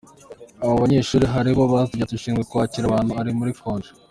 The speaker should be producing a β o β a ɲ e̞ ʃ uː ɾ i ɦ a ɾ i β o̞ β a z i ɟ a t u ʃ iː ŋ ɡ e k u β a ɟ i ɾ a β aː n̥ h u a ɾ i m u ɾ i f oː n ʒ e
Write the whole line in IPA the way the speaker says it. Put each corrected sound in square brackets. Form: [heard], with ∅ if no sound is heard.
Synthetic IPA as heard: a β o β a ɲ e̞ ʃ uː ɾ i ɦ a ɾ i β o̞ β a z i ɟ a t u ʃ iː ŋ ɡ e k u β a [c] i ɾ a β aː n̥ h u a ɾ i m u ɾ i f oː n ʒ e